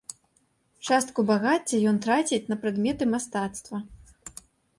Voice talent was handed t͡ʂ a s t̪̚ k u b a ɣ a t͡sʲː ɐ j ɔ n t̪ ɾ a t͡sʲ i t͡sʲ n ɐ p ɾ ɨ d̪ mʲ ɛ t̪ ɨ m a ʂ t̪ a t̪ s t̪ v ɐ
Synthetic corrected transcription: t͡ʂ a s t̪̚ k u b a ɣ a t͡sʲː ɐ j ɔ n t̪ ɾ a t͡sʲ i t͡sʲ n ɐ p ɾ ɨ d̪ mʲ ɛ t̪ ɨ m a s t̪ a t̪ s t̪ v ɐ